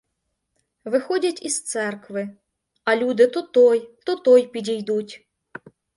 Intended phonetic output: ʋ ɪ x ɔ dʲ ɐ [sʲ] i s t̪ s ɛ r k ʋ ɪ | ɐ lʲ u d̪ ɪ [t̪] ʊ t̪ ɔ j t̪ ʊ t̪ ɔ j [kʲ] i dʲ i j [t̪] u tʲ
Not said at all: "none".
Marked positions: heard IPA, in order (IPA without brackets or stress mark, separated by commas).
tʲ, t̪, pʲ, d̪